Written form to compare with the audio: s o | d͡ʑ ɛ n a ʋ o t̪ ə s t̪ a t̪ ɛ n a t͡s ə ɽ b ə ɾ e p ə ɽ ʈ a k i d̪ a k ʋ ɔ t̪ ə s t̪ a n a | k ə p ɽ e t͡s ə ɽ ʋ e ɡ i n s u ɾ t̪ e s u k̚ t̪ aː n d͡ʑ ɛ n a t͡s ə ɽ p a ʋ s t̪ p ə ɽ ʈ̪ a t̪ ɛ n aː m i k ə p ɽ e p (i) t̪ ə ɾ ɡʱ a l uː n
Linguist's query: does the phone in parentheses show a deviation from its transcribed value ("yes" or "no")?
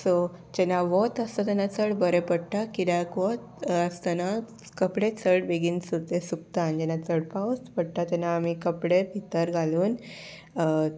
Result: no